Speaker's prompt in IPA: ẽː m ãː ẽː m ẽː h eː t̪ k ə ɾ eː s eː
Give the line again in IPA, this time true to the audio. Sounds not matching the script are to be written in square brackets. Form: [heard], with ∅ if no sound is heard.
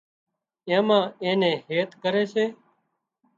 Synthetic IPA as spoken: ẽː m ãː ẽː [n] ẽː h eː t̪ k ə ɾ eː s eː